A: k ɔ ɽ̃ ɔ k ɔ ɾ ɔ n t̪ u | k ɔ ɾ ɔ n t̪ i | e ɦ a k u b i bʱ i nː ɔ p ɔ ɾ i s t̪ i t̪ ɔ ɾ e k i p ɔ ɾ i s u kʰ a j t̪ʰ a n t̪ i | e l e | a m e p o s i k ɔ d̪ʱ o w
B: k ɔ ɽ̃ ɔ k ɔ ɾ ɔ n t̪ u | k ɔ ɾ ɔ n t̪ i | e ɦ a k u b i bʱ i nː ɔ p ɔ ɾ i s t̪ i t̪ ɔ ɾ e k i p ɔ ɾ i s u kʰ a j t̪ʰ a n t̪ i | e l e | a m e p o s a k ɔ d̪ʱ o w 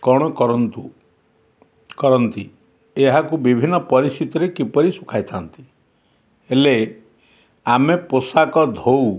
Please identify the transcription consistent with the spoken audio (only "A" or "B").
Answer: B